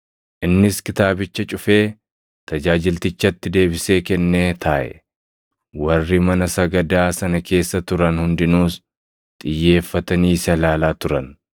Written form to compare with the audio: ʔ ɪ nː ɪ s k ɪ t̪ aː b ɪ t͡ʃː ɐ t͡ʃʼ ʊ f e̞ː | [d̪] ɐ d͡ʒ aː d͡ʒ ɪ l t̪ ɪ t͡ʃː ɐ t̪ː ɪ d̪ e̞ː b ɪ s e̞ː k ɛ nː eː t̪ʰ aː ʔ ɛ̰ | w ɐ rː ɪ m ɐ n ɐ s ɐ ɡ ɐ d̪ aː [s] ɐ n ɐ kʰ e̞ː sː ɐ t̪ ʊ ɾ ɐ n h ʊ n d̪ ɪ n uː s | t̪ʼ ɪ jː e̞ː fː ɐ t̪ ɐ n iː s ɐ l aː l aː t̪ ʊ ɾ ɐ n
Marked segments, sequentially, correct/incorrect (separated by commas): incorrect, correct